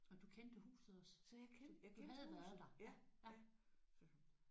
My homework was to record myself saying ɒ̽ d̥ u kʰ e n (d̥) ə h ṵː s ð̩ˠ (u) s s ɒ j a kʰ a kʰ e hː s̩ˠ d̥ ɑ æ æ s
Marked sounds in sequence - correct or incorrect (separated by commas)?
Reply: correct, incorrect